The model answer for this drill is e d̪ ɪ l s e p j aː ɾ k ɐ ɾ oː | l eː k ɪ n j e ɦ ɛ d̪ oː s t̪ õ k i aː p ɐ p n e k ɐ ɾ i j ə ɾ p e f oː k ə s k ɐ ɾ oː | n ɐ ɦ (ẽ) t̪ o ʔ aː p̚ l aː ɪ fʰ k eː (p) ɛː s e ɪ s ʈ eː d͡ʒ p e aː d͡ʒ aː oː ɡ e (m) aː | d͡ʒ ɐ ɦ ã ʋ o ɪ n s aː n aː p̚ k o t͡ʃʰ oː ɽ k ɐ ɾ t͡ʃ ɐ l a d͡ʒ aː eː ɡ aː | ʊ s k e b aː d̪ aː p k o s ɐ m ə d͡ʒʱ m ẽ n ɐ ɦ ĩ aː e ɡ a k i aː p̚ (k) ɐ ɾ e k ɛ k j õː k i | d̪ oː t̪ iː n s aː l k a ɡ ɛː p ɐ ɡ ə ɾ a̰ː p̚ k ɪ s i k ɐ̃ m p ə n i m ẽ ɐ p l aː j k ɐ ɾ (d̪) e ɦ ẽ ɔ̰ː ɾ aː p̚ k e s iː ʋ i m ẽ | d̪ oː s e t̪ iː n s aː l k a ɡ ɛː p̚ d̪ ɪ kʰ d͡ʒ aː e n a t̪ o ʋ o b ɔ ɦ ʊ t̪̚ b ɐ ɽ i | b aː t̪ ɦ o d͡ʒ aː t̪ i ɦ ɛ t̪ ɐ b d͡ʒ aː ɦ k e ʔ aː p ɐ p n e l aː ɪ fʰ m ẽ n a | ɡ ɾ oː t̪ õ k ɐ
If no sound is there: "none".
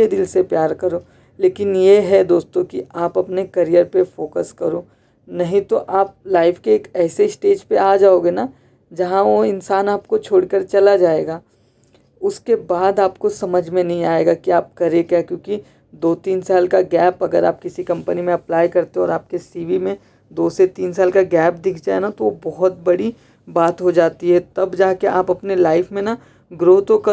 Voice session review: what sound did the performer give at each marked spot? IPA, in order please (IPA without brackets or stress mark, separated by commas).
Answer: ĩ, k, n, k, t̪